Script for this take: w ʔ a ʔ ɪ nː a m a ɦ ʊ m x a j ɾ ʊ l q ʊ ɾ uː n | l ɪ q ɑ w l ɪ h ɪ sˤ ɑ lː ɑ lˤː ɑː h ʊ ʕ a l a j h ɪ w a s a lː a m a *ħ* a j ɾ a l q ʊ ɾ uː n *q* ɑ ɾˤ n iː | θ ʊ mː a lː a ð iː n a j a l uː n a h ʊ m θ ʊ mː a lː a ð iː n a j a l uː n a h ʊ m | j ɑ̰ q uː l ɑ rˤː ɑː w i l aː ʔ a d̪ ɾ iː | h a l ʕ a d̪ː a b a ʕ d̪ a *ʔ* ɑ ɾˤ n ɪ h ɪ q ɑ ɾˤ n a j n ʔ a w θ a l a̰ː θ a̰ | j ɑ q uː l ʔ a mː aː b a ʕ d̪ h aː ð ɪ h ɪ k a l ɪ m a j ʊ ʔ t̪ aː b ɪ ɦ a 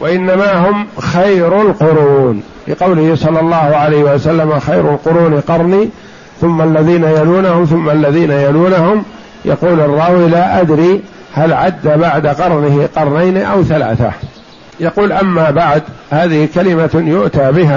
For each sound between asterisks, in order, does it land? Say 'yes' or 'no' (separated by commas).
no, yes, no